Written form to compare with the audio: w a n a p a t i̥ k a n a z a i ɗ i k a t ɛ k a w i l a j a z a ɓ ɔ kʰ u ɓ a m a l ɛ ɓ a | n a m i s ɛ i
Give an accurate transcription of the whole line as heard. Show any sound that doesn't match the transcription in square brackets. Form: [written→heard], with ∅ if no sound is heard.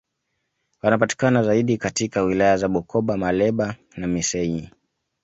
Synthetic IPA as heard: w a n a p a t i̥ k a n a z a i ɗ i k a t [ɛ→i] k a w i l a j a z a ɓ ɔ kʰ [u→ɔ] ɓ a m a l ɛ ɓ a | n a m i s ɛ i